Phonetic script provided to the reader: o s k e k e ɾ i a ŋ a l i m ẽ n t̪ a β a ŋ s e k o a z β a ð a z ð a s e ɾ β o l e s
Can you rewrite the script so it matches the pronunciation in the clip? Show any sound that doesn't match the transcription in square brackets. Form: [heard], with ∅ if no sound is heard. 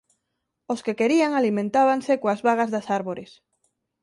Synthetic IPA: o s k e k e ɾ i a ŋ a l i m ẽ n t̪ a β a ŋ s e k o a z β a [ɣ] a z ð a s [a] ɾ β o [ɾ] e s